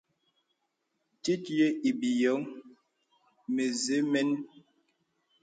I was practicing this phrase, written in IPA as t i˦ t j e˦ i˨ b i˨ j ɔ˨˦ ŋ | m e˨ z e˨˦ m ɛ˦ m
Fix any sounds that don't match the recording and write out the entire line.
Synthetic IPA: t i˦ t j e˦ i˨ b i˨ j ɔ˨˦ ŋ | m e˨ z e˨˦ m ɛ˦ n